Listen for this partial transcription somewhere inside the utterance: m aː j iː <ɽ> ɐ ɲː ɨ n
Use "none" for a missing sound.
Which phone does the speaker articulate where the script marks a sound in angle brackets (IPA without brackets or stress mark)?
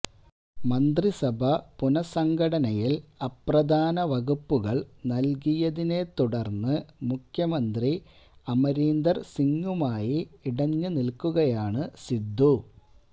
ɽ